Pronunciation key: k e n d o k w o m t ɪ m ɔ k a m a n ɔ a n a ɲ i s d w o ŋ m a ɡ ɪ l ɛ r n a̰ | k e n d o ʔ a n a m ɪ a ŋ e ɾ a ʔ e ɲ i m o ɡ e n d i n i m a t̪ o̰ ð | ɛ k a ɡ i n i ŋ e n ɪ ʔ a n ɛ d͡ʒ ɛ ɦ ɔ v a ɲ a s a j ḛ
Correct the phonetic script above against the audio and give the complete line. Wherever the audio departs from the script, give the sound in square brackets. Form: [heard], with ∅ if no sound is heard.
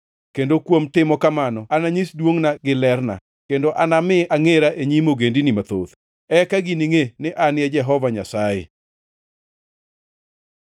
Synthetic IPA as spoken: k e n d o k w o m t ɪ m ɔ k a m a n ɔ a n a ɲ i s d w o ŋ [n] a ɡ ɪ l ɛ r n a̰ | k e n d o ʔ a n a m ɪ a ŋ e ɾ a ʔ e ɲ i m o ɡ e n d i n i m a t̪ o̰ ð | ɛ k a ɡ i n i ŋ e n ɪ ʔ a n ɛ d͡ʒ ɛ ɦ ɔ v a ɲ a s a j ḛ